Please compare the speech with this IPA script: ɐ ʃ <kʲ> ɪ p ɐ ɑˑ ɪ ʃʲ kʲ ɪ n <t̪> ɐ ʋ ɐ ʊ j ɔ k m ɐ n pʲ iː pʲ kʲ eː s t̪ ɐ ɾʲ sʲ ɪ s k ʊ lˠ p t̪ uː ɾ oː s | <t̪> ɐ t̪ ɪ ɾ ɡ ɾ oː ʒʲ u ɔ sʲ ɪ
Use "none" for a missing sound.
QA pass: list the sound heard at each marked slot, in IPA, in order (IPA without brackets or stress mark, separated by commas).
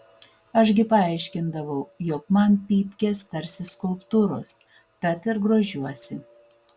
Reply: ɡʲ, d̪, t̪